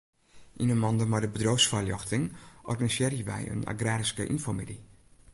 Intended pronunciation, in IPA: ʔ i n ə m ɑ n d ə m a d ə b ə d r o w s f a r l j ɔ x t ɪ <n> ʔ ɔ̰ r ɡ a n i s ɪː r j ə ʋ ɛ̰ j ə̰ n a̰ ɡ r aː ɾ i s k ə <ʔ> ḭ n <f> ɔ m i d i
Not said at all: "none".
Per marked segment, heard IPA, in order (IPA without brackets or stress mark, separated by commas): ŋ, ʔ, f